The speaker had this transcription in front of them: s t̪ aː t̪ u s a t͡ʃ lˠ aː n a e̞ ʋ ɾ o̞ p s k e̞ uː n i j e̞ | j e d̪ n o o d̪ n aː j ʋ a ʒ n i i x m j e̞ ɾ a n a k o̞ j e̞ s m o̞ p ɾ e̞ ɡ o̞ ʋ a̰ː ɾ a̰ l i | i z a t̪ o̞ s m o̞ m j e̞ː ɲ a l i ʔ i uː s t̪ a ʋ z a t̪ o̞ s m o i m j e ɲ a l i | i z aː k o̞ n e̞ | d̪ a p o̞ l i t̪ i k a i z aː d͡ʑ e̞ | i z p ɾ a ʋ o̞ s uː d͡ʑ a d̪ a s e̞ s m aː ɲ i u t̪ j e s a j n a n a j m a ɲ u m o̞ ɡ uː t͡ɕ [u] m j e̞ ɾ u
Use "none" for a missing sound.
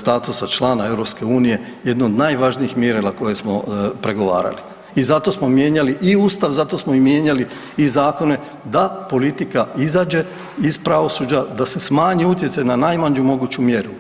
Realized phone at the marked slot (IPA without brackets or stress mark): u